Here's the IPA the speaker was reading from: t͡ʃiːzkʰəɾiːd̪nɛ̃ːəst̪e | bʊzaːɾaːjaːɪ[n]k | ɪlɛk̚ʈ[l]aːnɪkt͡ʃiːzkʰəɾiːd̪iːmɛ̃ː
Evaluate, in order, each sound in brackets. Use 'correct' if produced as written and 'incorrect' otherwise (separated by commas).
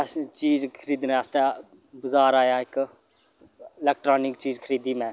incorrect, incorrect